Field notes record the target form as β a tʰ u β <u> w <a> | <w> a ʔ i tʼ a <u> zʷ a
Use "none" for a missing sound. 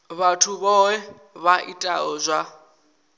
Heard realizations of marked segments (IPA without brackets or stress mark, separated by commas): ɔ, ɛ, β, ɔ